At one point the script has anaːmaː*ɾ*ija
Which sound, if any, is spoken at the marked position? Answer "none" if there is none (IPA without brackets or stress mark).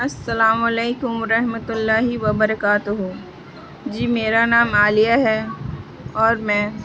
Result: l